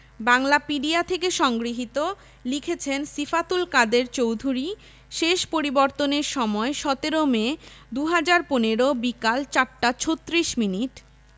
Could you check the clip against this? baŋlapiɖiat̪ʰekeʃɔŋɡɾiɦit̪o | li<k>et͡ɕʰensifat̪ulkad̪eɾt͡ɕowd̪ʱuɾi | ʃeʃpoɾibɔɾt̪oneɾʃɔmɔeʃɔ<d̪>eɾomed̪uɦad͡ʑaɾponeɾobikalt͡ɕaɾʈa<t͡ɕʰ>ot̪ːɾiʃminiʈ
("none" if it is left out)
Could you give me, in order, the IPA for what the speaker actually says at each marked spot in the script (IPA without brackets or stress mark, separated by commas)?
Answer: kʰ, t̪, t͡ɕʰ